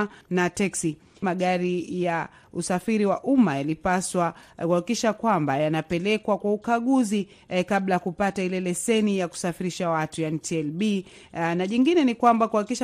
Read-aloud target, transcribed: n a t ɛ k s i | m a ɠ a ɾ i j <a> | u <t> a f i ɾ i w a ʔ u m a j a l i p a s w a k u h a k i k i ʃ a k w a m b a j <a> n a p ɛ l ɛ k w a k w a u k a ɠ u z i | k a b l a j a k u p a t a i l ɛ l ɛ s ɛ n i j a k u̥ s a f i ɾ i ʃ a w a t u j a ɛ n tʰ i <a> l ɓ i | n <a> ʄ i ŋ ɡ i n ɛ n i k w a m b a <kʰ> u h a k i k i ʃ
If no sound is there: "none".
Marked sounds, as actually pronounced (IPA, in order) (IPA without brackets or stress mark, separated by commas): a, s, a, ɛ, a, k